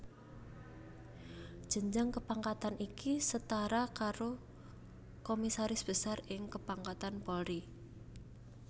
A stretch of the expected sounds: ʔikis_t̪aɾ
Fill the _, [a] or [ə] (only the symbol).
ə